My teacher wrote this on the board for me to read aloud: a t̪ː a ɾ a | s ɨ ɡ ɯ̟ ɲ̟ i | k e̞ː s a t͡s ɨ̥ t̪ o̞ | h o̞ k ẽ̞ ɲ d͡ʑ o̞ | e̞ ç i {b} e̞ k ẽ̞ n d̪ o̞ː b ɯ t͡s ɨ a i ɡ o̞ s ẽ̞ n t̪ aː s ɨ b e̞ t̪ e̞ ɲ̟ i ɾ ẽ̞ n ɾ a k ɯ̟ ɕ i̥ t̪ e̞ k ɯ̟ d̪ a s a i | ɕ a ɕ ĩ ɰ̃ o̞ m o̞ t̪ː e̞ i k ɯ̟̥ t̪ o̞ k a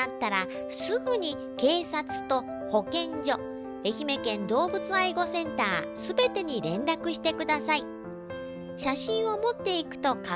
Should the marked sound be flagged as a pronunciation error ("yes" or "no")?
yes